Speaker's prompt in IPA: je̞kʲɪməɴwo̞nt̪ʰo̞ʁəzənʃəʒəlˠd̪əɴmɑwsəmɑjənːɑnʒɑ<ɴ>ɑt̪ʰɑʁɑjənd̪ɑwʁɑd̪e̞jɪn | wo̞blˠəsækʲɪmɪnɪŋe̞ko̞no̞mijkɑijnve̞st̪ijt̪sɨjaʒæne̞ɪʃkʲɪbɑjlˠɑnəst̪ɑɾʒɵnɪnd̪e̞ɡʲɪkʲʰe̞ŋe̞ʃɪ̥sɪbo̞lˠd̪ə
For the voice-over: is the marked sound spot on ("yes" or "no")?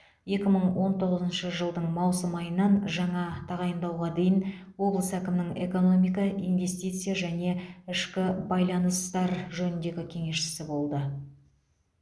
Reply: yes